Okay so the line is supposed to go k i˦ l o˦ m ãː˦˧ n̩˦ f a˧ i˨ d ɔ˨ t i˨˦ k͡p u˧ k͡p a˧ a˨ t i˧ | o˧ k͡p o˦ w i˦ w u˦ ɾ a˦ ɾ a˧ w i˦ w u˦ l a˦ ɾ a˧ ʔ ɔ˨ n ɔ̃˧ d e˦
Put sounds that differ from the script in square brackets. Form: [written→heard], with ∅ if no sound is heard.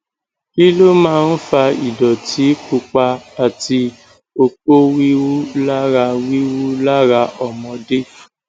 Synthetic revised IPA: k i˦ l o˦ m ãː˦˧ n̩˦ f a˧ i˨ d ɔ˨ t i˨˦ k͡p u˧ k͡p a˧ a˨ t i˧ | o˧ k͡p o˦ w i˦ w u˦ [ɾ→l] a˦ ɾ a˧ w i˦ w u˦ l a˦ ɾ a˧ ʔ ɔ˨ [n→m] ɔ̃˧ d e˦